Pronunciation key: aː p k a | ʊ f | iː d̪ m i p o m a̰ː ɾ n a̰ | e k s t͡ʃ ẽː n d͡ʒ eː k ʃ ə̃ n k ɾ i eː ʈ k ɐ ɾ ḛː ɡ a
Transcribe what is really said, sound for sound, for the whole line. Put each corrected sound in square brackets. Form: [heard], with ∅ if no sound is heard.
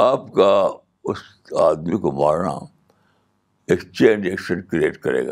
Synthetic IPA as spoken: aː p k a | ʊ [s] | [aː] d̪ m i [k] o m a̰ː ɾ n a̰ | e k s t͡ʃ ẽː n d͡ʒ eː k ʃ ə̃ n k ɾ i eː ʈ k ɐ ɾ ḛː ɡ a